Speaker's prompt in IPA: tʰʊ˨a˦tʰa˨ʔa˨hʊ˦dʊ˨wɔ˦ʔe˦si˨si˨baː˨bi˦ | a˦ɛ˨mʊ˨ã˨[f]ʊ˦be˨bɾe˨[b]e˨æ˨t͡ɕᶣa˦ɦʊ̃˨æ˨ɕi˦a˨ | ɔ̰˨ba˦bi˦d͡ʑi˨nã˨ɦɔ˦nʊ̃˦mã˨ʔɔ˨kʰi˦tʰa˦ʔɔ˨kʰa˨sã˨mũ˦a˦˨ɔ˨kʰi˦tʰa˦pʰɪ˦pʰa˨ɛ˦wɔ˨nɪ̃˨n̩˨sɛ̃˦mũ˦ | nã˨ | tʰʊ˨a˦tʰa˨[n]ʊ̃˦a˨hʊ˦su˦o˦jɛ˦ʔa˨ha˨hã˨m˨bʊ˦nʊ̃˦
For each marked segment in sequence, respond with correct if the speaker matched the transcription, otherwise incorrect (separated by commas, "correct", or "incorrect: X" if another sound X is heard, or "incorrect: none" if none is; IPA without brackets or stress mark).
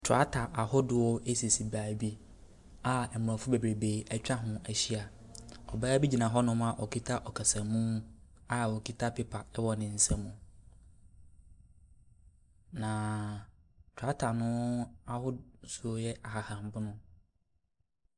correct, correct, correct